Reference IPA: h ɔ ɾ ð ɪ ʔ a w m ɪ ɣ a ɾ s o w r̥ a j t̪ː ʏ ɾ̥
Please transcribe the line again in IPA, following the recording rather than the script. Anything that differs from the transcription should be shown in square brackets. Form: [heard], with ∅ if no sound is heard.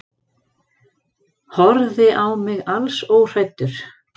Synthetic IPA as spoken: h ɔ ɾ ð ɪ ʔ a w m ɪ ɣ a [l] s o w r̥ a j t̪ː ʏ ɾ̥